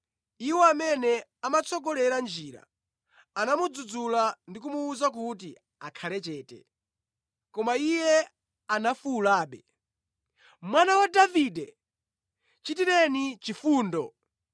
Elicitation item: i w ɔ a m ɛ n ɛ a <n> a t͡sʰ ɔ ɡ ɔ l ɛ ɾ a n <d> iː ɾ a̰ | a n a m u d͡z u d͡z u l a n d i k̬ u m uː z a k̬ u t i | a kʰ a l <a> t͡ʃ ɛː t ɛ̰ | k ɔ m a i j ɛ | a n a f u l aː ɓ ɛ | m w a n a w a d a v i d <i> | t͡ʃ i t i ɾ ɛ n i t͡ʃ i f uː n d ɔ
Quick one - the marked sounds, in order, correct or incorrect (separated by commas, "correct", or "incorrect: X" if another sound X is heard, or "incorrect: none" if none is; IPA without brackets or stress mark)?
incorrect: m, incorrect: d͡ʒ, incorrect: ɛ, incorrect: ɛ